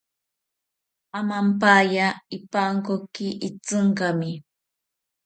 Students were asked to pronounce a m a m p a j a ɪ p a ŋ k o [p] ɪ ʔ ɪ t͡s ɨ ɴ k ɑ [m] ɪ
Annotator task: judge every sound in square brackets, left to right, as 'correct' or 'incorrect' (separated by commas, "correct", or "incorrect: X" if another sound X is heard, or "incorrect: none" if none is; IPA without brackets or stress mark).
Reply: incorrect: k, correct